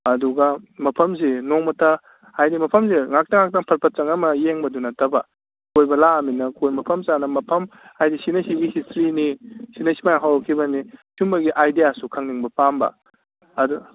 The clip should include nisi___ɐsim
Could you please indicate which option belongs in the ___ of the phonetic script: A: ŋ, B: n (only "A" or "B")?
B